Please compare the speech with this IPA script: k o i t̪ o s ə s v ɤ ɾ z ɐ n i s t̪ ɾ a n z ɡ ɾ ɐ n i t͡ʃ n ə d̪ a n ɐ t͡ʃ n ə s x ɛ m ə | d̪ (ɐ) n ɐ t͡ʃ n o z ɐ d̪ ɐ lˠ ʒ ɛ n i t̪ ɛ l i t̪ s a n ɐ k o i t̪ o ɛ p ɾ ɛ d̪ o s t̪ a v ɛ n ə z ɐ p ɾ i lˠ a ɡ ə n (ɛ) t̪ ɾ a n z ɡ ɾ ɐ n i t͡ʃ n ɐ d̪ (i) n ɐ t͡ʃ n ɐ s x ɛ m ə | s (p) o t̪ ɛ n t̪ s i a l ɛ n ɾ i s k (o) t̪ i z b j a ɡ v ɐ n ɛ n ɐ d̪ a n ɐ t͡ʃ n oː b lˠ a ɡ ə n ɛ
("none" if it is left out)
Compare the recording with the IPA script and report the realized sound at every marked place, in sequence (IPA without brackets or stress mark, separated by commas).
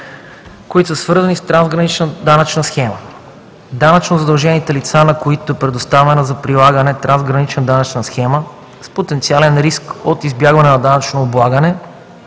a, ɛ, a, p, o